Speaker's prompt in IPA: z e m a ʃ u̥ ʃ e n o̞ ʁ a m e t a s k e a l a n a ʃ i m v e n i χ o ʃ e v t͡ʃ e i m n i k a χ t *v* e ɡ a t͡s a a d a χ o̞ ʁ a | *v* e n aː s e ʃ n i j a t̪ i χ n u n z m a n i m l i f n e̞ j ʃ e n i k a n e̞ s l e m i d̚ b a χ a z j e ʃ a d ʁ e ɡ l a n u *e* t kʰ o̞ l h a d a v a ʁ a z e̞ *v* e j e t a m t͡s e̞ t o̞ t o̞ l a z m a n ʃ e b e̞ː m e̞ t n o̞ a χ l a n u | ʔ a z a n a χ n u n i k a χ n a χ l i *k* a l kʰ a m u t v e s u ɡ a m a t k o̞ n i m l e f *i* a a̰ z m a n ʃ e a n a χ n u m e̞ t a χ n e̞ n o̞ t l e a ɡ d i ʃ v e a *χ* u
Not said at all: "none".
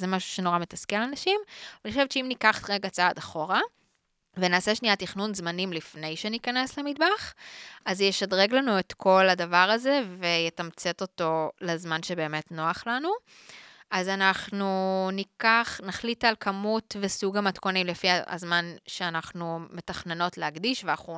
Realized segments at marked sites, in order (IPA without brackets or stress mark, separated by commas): ʁ, v, e, v, t, i, χ